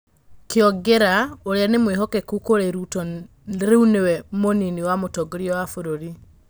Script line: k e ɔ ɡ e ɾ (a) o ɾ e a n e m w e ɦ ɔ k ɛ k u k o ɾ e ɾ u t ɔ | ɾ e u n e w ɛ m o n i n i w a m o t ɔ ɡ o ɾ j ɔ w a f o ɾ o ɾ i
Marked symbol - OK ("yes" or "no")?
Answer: yes